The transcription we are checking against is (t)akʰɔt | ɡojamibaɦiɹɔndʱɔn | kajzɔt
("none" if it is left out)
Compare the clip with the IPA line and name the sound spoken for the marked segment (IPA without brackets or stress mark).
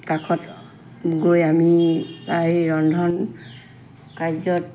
k